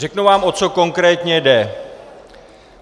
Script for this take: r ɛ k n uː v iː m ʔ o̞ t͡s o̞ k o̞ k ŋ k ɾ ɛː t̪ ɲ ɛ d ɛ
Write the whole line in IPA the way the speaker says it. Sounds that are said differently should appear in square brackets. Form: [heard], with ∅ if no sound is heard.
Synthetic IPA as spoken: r ɛ k n [u] v [aː] m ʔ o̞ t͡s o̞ k o̞ [∅] ŋ k ɾ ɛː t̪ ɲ ɛ d ɛ